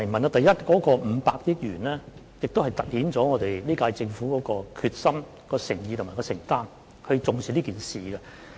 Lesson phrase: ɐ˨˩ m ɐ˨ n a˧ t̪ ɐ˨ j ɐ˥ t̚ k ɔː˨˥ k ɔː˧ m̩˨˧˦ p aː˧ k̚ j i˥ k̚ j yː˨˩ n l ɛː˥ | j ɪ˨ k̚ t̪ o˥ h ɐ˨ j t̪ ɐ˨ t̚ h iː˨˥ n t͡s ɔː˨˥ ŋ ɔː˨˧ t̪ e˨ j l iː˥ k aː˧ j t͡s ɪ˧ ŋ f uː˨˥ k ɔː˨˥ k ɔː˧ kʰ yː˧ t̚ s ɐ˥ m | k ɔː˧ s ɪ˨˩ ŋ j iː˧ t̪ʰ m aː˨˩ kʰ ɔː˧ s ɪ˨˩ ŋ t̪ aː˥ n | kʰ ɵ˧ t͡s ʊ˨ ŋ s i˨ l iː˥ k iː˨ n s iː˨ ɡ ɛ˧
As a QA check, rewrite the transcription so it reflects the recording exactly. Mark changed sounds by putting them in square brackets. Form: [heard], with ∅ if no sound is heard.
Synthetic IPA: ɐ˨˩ m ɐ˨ n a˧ t̪ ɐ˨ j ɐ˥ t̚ k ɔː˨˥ k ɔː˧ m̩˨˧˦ p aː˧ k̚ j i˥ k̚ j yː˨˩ n l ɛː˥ | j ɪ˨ k̚ t̪ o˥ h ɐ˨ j t̪ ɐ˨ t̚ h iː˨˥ n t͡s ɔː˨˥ ŋ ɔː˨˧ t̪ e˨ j l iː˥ k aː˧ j t͡s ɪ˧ ŋ f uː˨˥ k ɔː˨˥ k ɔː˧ kʰ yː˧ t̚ s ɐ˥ m | k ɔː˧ s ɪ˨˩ ŋ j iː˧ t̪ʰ m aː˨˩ [k] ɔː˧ s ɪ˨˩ ŋ t̪ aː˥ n | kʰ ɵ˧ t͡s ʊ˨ ŋ s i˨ l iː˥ k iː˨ n s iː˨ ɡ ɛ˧

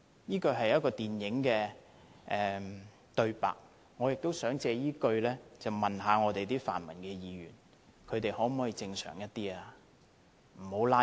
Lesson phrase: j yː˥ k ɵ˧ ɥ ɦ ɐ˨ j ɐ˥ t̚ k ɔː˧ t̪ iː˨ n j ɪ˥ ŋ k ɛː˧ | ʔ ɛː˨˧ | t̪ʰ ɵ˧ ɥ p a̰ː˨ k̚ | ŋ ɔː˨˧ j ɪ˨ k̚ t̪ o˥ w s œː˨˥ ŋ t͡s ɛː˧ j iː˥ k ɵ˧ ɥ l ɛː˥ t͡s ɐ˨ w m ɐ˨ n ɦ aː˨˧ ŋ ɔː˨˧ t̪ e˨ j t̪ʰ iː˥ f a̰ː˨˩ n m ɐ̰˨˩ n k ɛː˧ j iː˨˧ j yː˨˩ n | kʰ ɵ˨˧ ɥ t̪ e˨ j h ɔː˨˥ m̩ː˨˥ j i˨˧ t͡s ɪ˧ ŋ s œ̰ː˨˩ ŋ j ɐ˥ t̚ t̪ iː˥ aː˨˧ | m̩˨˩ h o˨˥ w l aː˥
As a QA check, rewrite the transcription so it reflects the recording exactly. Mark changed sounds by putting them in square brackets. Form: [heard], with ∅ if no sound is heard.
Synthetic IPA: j [iː˥] k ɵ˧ ɥ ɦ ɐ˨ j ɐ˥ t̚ k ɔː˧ t̪ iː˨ n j [ɪ˨˥] ŋ k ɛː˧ | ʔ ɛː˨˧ | [t̪] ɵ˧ ɥ p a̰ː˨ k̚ | ŋ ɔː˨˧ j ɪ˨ k̚ t̪ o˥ w s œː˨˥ ŋ t͡s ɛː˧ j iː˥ k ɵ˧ ɥ l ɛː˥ t͡s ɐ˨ w m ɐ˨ n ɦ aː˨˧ ŋ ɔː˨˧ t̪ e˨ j [t̪] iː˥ f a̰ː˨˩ n m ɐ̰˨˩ n k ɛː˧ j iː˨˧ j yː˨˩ n | kʰ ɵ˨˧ ɥ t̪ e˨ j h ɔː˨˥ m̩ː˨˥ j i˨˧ t͡s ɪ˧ ŋ s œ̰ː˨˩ ŋ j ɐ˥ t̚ t̪ iː˥ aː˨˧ | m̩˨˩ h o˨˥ w l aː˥

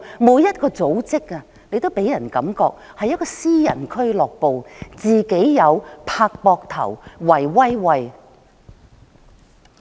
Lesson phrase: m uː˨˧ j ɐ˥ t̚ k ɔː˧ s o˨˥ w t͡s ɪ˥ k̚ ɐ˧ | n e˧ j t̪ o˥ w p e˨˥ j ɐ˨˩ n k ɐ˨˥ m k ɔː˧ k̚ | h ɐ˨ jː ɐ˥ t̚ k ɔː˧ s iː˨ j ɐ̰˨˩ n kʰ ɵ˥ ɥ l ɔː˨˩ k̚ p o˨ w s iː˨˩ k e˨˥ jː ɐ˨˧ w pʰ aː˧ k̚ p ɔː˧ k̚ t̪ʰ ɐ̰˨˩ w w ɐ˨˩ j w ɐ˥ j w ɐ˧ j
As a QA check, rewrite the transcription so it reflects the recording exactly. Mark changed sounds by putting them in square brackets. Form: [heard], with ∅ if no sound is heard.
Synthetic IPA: m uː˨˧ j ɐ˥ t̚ k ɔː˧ [t͡s] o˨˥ w t͡s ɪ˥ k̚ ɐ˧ | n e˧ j t̪ o˥ w p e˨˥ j ɐ˨˩ n k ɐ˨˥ m k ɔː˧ k̚ | h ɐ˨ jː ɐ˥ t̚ k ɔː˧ s [iː˥] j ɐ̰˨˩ n kʰ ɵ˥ ɥ l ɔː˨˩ k̚ p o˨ w [t͡s] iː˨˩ k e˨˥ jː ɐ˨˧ w pʰ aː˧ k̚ p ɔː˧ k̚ t̪ʰ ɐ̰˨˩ w w ɐ˨˩ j w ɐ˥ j w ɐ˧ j

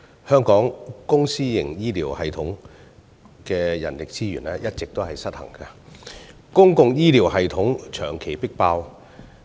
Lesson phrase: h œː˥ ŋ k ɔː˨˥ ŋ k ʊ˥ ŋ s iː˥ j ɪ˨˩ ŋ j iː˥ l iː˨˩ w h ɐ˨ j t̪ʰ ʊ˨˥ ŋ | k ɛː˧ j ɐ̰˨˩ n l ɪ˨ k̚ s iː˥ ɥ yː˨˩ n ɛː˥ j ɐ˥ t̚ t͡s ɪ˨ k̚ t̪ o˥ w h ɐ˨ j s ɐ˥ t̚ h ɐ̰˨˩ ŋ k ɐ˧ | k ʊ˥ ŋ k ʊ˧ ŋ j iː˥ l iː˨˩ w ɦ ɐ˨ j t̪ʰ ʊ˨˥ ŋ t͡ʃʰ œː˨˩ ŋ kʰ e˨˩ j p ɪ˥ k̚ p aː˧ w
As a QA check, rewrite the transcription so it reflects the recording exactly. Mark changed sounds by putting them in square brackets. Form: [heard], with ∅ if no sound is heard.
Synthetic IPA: h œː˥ ŋ k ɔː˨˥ ŋ k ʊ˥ ŋ s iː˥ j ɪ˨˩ ŋ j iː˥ l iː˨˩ w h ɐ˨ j t̪ʰ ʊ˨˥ ŋ | k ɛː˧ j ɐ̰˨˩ n l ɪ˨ k̚ [t͡s] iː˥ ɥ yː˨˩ n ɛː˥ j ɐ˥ t̚ t͡s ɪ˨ k̚ t̪ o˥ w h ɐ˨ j s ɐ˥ t̚ h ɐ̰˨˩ ŋ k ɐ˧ | k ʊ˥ ŋ k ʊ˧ ŋ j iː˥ l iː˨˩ w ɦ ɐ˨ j t̪ʰ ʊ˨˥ ŋ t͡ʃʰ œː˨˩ ŋ kʰ e˨˩ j p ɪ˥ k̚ p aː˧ w

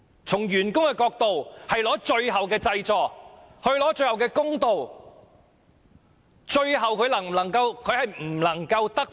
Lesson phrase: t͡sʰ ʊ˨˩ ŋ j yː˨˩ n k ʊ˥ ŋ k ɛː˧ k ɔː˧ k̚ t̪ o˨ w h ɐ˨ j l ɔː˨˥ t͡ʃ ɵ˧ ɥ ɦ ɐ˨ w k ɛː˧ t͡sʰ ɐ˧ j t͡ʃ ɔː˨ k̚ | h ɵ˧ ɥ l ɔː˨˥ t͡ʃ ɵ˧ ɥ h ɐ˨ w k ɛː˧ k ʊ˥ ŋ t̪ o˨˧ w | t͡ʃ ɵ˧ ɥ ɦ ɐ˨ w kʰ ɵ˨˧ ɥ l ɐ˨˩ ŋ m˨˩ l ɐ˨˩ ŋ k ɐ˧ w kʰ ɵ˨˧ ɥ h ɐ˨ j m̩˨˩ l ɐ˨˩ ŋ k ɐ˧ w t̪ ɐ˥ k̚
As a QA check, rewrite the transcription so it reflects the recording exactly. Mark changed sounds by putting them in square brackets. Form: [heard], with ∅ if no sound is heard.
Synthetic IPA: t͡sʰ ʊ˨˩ ŋ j yː˨˩ n k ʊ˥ ŋ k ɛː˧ k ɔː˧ k̚ t̪ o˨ w h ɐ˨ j l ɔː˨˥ t͡ʃ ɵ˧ ɥ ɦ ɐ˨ w k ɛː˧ [t͡s] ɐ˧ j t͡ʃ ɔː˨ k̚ | h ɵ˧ ɥ l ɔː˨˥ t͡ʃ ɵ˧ ɥ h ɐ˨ w k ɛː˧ k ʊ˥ ŋ t̪ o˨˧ w | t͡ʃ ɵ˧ ɥ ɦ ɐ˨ w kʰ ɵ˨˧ ɥ l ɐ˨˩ ŋ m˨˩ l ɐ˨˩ ŋ k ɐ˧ w kʰ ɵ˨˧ ɥ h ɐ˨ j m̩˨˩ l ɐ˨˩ ŋ k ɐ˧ w t̪ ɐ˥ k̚

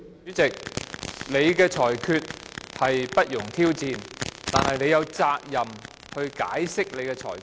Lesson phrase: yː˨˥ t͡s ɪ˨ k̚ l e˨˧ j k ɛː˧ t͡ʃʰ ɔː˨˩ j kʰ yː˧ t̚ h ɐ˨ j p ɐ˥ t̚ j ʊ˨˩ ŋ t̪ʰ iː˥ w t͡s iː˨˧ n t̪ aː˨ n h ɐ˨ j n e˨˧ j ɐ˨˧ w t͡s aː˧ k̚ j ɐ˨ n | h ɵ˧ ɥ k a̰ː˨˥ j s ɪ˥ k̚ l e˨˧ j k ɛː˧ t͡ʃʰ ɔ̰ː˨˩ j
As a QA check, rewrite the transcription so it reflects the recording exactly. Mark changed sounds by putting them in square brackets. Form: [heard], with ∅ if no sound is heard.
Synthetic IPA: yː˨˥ t͡s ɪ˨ k̚ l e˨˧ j k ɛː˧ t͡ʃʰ ɔː˨˩ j kʰ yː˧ t̚ h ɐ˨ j p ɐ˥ t̚ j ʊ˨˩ ŋ t̪ʰ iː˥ w t͡s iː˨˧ n t̪ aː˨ n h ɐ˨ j n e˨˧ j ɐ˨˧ w t͡s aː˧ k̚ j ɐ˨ [m] | h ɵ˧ ɥ k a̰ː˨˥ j s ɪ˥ k̚ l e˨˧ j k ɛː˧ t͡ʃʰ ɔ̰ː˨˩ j

